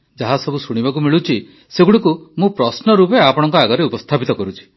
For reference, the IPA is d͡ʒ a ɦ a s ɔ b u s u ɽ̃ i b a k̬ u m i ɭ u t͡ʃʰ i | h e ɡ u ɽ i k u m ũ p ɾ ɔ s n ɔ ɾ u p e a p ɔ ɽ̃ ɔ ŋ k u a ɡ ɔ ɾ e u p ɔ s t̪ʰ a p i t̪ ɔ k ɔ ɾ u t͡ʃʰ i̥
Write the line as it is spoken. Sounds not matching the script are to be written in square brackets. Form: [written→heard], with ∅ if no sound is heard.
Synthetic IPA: d͡ʒ a ɦ a s ɔ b u s u ɽ̃ i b a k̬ u m i ɭ u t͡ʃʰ i | [h→s] e ɡ u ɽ i k u m ũ p ɾ ɔ s n ɔ ɾ u p e a p ɔ ɽ̃ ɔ ŋ k [u→ɔ] a ɡ ɔ ɾ e u p ɔ s t̪ʰ a p i t̪ ɔ k ɔ ɾ u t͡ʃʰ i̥